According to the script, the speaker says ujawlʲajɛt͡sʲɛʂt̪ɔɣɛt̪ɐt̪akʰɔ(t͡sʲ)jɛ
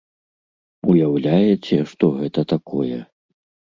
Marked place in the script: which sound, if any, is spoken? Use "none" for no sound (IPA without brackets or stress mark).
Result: none